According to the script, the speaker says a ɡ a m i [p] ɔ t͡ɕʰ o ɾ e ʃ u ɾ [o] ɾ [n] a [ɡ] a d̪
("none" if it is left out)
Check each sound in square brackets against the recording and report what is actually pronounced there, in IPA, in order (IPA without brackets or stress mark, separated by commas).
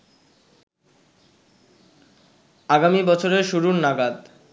b, u, n, ɡ